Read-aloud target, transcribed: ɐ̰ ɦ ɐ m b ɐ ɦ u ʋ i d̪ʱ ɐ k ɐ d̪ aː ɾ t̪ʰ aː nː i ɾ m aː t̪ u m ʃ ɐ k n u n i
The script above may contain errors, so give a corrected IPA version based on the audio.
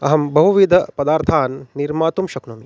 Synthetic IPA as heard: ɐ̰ ɦ ɐ m b ɐ ɦ u ʋ i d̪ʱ ɐ p ɐ d̪ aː ɾ t̪ʰ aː nː i ɾ m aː t̪ u m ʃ ɐ k n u m i